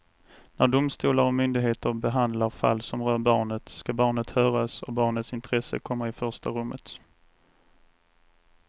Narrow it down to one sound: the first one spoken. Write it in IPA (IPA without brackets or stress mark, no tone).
n